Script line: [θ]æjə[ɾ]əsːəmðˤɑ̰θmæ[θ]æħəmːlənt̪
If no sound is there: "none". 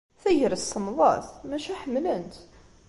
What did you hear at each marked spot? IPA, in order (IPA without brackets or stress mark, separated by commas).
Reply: θ, ɾ, ʃ